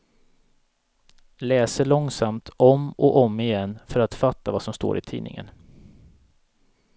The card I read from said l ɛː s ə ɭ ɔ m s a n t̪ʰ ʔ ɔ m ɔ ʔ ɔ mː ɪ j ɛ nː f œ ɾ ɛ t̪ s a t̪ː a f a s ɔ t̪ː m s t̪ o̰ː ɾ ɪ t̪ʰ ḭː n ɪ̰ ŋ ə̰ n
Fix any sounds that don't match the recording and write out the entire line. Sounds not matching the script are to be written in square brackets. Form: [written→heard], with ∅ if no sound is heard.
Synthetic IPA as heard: l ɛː s ə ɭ ɔ [m→ŋ] s a [n→m] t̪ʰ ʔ ɔ m ɔ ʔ ɔ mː ɪ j ɛ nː f œ ɾ [ɛ→a] t̪ [s→f] a t̪ː a [f→v] a s ɔ [t̪ː→∅] m s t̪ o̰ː ɾ ɪ t̪ʰ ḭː n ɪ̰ ŋ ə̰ n